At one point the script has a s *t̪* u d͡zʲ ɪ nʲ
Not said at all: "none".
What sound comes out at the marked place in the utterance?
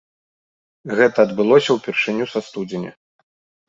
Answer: t̪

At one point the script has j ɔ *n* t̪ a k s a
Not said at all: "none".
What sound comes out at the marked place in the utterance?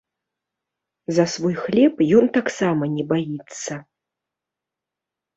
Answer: n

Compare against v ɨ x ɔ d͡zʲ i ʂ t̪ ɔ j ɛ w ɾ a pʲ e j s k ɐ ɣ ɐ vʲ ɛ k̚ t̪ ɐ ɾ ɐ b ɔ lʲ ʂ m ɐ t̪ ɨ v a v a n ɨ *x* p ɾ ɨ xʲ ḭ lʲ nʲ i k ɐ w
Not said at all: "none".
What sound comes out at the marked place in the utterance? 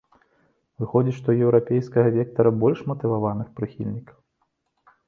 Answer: x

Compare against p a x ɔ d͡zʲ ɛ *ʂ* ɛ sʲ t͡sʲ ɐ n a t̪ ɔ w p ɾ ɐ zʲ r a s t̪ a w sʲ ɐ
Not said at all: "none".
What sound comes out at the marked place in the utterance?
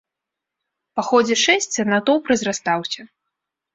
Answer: ʂ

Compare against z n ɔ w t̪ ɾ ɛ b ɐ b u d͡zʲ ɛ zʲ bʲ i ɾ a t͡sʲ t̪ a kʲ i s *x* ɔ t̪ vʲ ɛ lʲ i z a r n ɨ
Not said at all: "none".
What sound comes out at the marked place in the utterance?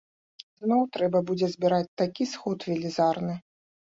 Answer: x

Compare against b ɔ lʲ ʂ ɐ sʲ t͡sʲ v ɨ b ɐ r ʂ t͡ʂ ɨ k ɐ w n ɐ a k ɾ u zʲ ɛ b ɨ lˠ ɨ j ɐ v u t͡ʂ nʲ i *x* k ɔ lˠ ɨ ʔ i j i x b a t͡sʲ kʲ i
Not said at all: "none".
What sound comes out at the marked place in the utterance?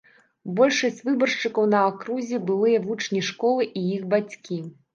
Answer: ʂ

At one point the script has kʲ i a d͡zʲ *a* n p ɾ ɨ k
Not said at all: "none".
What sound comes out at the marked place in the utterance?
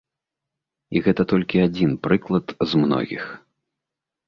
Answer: i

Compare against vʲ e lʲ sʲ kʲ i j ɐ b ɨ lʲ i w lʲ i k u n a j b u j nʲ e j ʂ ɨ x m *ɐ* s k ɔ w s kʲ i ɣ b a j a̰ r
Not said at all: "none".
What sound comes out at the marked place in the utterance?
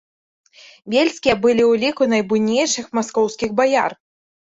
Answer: a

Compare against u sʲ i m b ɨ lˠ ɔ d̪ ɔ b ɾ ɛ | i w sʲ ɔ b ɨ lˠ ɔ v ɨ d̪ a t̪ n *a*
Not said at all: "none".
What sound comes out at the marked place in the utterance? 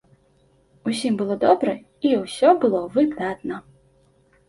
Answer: ɐ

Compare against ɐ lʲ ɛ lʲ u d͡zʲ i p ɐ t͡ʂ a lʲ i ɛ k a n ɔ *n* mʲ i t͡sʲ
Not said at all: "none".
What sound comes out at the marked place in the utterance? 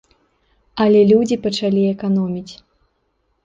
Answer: none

